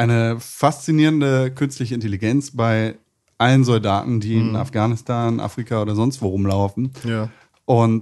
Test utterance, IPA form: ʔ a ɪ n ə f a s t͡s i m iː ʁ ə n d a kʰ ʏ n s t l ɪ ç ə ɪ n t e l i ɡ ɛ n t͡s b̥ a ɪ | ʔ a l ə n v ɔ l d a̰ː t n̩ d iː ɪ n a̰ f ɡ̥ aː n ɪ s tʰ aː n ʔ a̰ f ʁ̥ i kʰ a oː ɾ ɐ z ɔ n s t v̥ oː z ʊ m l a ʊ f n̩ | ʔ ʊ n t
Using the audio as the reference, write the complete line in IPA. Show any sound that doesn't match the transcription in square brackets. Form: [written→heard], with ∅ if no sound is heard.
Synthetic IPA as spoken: ʔ a ɪ n ə f a s t͡s i [m→n] iː ʁ ə n d [a→ə] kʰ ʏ n s t l ɪ ç ə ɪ n t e l i ɡ ɛ n t͡s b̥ a ɪ | ʔ a l ə n [v→z] ɔ l d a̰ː t n̩ d iː ɪ n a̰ f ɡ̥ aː n ɪ s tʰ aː n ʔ a̰ f ʁ̥ i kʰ a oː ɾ ɐ z ɔ n s t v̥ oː [z→ʁ] ʊ m l a ʊ f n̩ | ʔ ʊ n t